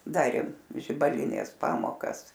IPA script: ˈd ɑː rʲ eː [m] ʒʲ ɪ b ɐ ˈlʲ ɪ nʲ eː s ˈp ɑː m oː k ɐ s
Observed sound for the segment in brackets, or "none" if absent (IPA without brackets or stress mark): m